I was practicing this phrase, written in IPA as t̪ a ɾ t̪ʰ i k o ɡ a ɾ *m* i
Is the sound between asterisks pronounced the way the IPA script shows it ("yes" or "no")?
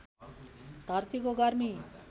yes